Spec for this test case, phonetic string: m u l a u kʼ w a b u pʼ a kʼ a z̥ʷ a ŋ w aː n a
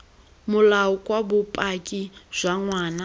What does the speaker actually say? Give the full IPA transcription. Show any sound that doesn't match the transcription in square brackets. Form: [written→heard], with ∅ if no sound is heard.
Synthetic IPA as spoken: m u l a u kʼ w a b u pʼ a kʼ [a→i] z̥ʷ a ŋ w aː n a